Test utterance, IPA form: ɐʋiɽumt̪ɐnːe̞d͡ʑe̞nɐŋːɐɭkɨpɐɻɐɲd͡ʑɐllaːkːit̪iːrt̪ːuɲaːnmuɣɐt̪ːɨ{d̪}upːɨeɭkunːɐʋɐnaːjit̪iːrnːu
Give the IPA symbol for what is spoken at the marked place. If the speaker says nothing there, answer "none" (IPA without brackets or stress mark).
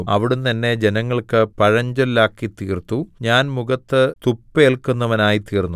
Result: t̪